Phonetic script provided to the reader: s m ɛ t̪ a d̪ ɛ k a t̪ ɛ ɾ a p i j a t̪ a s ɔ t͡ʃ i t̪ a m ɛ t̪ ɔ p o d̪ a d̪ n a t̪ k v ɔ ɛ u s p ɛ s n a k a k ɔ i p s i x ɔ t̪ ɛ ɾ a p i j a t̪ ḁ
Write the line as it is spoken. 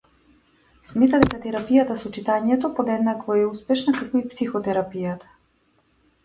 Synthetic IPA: s m ɛ t̪ a d̪ ɛ k a t̪ ɛ ɾ a p i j a t̪ a s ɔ t͡ʃ i t̪ a ɲ ɛ t̪ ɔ p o d̪ ɛ d̪ n a k v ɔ ɛ u s p ɛ ʃ n a k a k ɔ i p s i x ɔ t̪ ɛ ɾ a p i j a t̪ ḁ